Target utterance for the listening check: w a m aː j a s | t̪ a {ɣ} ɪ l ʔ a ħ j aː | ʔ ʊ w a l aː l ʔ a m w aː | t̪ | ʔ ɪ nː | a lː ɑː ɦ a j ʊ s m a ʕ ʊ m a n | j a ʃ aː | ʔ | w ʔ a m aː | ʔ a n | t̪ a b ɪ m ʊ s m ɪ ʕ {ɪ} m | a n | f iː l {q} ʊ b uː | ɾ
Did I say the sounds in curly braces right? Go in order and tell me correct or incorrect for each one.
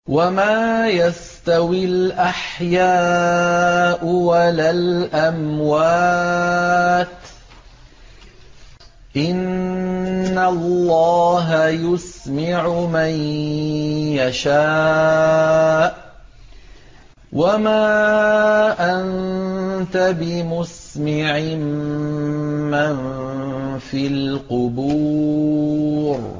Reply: incorrect: w, correct, correct

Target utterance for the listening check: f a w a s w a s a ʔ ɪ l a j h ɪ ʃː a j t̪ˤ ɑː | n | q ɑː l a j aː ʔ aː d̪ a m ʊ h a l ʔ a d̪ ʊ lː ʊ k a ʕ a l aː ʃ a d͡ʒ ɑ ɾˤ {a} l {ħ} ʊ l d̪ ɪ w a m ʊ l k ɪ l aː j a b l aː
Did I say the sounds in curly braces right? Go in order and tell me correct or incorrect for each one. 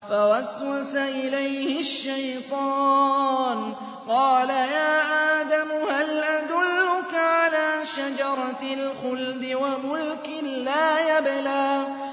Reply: incorrect: ɑ, incorrect: x

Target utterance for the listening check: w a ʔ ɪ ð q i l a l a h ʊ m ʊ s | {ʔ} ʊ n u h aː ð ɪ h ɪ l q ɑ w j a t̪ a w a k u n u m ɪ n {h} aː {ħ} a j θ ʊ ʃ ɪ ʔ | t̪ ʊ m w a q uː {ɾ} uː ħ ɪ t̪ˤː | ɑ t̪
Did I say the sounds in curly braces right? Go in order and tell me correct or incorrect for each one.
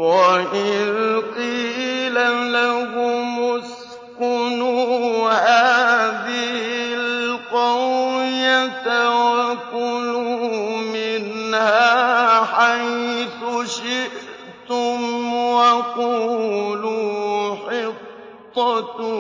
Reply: incorrect: k, correct, correct, incorrect: l

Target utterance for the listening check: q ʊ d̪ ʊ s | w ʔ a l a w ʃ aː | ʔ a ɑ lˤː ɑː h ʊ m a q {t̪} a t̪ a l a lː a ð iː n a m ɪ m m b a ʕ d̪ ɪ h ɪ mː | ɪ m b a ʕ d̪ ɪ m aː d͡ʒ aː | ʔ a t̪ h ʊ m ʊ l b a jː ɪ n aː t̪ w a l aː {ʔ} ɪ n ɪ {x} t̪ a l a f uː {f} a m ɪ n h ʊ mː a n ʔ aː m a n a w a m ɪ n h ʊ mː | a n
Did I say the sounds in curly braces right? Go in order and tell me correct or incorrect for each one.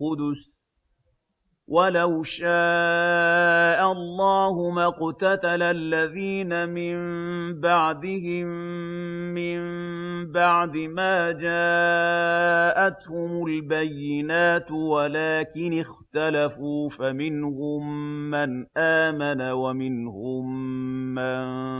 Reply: correct, incorrect: k, correct, correct

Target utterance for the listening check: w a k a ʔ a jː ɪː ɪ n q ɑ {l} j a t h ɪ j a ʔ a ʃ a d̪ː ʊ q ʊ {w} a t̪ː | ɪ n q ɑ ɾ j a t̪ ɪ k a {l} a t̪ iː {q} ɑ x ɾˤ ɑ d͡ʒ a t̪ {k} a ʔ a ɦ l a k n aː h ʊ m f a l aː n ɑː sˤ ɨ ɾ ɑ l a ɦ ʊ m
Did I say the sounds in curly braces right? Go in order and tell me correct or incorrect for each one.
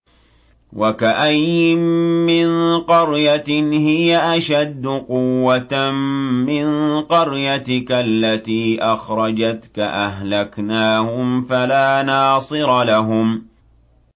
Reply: incorrect: ɾ, incorrect: wː, incorrect: lː, incorrect: ʔ, correct

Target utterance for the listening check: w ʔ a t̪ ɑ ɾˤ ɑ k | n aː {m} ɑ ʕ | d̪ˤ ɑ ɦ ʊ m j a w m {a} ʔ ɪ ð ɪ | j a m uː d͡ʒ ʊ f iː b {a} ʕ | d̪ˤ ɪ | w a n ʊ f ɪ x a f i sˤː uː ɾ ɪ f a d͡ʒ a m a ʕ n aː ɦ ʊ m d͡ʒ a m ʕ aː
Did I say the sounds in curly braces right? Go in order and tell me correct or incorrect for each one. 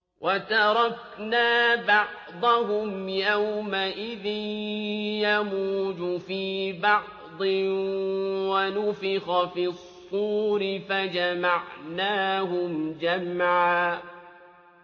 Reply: incorrect: b, correct, incorrect: ɑ

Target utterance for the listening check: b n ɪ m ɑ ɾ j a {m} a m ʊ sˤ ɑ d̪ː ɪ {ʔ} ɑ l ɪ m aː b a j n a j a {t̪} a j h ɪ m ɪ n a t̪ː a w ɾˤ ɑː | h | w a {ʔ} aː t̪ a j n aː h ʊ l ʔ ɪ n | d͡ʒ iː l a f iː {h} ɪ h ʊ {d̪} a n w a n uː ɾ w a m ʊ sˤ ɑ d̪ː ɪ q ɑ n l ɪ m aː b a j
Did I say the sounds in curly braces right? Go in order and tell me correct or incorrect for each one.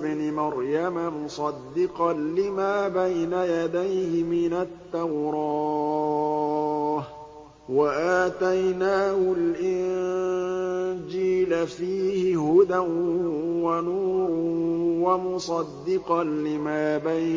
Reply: correct, incorrect: q, incorrect: d̪, correct, correct, correct

